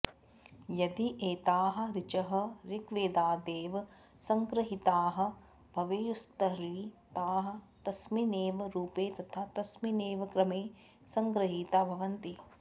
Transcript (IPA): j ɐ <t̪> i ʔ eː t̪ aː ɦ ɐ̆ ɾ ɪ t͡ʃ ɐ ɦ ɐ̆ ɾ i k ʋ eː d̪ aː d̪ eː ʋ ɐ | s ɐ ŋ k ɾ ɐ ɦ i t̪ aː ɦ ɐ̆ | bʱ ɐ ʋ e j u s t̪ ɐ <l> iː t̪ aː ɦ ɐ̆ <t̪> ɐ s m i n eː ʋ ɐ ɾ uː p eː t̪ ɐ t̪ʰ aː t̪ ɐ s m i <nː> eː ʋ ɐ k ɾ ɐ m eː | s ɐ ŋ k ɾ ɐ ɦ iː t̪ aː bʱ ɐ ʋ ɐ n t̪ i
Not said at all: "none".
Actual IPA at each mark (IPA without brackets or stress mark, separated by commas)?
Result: d̪, ɾ, t̪, n